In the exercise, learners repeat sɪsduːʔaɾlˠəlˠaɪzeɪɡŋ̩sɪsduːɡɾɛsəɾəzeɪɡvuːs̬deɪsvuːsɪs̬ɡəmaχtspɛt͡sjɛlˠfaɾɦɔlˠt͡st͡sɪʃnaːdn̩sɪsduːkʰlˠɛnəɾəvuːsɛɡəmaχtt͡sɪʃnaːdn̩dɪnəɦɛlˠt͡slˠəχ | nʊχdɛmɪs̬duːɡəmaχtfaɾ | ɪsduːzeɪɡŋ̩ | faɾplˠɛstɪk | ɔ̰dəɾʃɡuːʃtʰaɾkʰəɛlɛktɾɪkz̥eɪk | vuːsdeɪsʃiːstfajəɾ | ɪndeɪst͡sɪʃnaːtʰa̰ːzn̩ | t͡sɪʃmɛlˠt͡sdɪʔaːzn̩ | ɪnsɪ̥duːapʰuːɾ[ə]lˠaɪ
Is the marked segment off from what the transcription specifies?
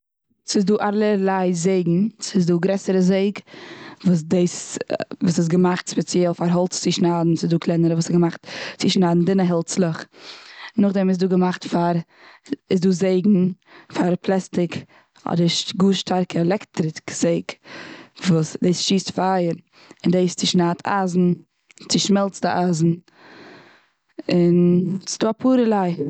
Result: no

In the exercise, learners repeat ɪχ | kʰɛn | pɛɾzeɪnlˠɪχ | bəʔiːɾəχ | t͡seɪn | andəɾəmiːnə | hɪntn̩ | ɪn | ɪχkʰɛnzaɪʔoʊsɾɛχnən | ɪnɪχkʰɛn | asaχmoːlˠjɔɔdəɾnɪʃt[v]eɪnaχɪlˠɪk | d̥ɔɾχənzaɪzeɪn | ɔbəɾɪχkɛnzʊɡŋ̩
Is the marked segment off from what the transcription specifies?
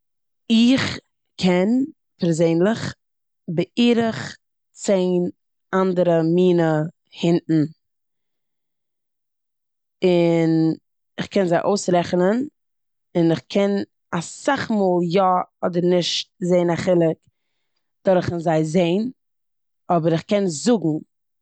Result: yes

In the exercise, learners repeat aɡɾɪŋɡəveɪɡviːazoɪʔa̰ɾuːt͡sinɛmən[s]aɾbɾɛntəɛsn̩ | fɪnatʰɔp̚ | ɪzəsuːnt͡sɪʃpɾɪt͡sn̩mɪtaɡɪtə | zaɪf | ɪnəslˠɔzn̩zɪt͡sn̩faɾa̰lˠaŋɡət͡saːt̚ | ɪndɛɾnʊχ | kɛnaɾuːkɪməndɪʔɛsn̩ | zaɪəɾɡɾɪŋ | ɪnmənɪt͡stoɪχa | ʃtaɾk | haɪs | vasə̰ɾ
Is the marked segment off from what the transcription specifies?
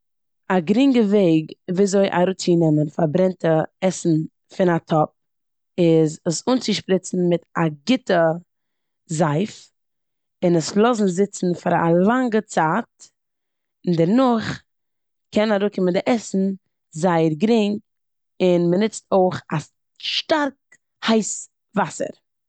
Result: yes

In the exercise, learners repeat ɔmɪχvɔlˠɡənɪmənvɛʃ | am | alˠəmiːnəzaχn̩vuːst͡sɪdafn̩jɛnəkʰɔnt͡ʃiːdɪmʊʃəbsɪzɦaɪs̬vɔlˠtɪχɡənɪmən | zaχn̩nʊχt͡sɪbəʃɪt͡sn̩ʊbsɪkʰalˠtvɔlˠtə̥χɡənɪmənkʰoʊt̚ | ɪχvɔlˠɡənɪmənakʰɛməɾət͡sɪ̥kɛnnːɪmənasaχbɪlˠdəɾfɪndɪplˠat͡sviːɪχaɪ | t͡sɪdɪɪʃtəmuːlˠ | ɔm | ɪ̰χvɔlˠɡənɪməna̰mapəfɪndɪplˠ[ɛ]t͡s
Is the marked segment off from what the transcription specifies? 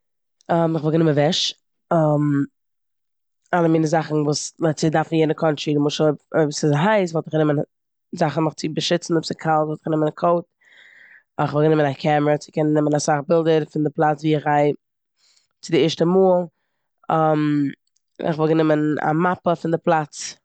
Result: yes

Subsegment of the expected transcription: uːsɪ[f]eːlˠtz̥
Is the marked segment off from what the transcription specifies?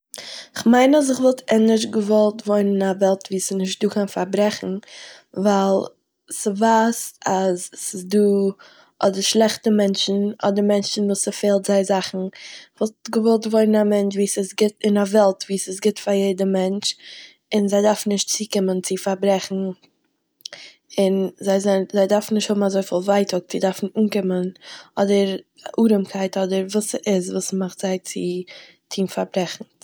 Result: no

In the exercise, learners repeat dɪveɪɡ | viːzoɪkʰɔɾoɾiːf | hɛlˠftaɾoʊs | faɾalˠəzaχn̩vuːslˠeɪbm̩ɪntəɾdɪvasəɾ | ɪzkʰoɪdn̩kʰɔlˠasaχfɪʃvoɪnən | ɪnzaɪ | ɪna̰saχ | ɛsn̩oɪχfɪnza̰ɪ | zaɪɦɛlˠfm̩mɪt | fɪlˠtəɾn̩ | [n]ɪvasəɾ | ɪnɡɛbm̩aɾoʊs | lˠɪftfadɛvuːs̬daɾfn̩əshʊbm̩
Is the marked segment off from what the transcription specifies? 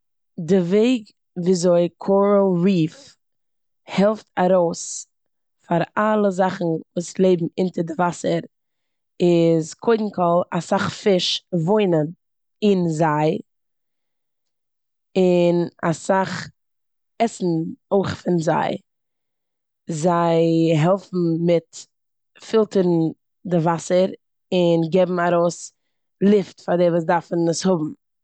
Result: yes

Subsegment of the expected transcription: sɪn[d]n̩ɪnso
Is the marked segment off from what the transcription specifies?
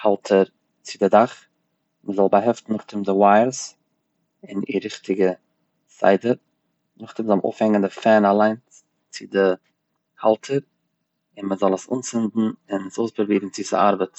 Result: no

